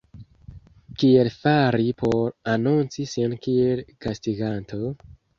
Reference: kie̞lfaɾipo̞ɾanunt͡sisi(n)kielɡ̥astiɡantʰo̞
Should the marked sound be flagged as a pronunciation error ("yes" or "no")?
no